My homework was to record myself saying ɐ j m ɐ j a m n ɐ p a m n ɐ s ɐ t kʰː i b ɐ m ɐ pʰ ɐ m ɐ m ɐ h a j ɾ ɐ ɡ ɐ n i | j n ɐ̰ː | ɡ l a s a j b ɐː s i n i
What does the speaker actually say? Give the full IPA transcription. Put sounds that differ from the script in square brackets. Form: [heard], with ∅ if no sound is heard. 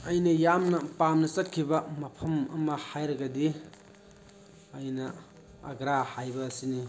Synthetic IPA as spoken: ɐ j [n] ɐ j a m n ɐ p a m n ɐ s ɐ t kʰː i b ɐ m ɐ pʰ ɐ m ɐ m ɐ h a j ɾ ɐ ɡ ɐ [d] i | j n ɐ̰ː | ɡ [ɾ] a [h] a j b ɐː s i n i

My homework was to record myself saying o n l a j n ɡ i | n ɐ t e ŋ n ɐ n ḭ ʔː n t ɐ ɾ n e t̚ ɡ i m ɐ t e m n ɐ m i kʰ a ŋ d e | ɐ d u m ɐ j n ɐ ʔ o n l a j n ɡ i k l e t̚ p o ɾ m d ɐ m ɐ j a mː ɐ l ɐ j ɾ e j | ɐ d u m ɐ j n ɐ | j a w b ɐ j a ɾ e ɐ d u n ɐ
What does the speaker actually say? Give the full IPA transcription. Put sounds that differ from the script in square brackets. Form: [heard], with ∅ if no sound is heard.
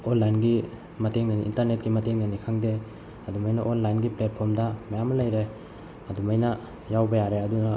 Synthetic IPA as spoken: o n l a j n ɡ i | [m] ɐ t e ŋ n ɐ n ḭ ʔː n t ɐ ɾ n e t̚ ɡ i m ɐ t e [ŋ] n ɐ [n] i kʰ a ŋ d e | ɐ d u m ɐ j n ɐ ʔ o n l a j n ɡ i [p] l e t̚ [pʰ] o ɾ m d ɐ m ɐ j a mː ɐ l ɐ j ɾ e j | ɐ d u m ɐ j n ɐ | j a w b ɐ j a ɾ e ɐ d u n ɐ

